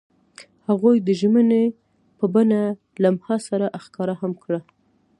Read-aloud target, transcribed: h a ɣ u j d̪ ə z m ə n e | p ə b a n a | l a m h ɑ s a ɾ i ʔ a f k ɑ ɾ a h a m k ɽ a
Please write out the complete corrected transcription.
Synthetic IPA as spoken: h a ɣ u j d̪ ə ʒ m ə n e | p ə b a n a | l a m h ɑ s a ɾ a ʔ a x k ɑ ɾ a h a m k ɽ a